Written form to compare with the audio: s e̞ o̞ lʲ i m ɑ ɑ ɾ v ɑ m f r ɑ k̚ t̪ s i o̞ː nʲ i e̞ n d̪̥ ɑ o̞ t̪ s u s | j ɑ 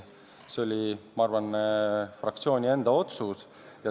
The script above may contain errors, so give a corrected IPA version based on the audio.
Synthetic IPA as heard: s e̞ o̞ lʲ i m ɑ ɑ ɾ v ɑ n f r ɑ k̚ t̪ s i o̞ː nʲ i e̞ n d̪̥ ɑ o̞ t̪ s u s | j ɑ